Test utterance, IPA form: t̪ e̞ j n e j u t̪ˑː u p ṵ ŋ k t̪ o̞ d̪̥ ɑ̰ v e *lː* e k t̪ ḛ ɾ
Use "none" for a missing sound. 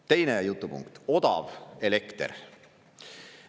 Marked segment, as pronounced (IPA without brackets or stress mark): l